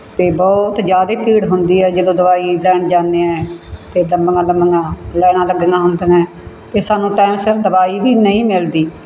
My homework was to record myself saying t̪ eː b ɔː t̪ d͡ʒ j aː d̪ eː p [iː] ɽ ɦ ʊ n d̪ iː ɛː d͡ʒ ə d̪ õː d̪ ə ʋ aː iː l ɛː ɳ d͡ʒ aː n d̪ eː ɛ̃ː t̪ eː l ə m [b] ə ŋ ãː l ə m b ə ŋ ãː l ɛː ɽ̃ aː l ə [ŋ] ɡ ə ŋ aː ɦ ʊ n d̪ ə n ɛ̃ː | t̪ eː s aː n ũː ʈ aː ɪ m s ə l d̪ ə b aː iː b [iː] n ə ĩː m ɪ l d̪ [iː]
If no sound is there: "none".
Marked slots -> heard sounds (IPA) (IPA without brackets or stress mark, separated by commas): iː, b, none, iː, iː